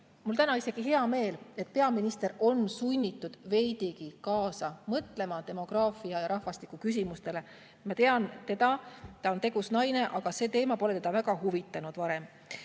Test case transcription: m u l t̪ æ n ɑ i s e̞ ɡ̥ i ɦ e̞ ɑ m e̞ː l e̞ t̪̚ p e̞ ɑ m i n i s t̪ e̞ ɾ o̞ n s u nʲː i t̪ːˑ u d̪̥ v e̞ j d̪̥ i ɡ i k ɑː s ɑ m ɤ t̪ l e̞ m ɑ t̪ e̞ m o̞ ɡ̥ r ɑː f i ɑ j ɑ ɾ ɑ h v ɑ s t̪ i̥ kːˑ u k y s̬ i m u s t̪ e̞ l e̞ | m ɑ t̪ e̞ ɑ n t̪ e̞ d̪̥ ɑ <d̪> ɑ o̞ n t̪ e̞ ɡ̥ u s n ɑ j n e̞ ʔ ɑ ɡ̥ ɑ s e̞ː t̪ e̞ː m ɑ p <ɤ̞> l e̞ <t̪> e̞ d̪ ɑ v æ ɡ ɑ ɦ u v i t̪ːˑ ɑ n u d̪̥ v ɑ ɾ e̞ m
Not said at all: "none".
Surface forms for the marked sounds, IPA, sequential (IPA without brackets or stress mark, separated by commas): t̪, o̞, t̪